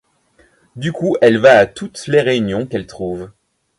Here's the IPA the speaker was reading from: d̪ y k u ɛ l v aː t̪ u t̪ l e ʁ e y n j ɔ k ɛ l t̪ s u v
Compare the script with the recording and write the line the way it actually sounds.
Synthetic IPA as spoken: d̪ y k u ɛ l v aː t̪ u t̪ l e ʁ e y n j ɔ̃ k ɛ l t̪ χ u v